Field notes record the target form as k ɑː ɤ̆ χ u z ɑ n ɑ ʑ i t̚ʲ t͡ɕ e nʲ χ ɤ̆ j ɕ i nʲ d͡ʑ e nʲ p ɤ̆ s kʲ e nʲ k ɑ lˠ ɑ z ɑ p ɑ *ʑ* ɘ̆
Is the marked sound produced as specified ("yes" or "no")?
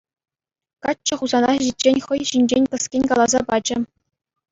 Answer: no